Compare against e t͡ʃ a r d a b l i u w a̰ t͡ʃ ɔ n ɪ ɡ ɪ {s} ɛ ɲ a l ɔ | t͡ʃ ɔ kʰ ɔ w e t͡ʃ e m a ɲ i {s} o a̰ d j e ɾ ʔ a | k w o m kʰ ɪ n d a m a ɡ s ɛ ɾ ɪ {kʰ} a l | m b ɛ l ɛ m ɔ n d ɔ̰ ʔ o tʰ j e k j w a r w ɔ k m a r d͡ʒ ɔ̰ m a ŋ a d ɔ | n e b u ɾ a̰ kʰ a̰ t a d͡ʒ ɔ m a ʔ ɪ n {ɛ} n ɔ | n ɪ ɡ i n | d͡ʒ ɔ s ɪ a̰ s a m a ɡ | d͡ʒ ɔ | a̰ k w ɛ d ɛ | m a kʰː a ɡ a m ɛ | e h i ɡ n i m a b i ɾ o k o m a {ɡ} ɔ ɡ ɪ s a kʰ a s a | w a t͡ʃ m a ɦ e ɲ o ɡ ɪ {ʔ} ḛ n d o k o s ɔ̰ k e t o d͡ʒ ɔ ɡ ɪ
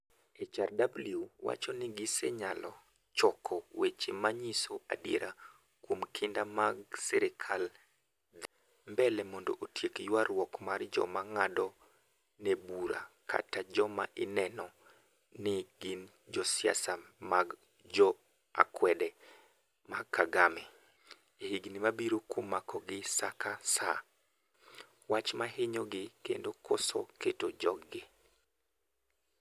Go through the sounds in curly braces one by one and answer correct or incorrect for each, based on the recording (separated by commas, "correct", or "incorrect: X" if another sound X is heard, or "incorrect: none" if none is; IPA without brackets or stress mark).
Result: correct, correct, correct, correct, incorrect: k, incorrect: k